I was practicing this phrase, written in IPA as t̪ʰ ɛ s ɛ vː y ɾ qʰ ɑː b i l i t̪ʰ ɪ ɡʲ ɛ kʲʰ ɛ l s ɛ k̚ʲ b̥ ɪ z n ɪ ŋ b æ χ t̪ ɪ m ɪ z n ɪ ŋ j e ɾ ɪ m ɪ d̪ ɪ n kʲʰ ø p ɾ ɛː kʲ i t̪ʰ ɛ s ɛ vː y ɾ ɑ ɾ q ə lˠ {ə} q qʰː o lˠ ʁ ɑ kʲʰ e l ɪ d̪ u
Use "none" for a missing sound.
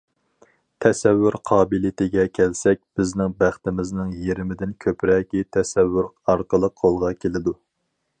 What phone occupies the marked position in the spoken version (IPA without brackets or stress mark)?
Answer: ə